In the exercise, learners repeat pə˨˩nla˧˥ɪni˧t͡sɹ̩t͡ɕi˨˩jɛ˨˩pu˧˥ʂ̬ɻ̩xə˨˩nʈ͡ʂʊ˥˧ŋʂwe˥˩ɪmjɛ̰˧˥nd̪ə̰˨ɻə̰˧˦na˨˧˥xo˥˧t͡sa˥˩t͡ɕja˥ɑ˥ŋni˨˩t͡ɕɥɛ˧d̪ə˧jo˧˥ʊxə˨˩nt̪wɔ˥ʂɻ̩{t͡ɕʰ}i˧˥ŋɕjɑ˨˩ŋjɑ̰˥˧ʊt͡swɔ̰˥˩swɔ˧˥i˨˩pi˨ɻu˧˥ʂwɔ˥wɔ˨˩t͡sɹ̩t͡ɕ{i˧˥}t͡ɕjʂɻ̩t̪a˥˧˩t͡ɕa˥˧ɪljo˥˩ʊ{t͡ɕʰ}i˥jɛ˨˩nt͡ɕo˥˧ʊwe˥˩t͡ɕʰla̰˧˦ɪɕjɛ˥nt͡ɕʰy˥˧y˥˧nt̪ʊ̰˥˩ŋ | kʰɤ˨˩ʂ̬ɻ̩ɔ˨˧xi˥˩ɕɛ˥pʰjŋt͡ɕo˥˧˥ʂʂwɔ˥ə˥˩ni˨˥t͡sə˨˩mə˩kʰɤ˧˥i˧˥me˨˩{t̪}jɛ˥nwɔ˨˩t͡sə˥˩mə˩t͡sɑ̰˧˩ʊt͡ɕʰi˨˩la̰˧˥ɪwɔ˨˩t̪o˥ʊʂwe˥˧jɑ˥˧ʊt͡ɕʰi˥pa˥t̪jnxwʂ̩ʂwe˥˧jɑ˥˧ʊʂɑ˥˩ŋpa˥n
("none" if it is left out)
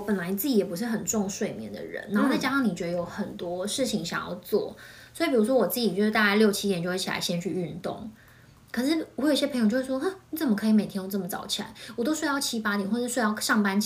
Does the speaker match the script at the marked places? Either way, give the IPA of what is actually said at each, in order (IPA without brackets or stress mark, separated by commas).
t͡ɕʰ, i˨˩, t͡ɕʰ, t̪ʰ